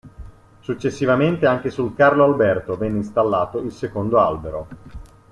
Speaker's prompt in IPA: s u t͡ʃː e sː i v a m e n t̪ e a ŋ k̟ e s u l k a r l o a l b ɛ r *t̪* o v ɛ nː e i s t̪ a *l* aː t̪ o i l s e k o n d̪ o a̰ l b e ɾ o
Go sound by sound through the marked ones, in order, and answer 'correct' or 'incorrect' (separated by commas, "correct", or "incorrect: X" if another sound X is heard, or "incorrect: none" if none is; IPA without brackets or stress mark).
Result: correct, incorrect: lː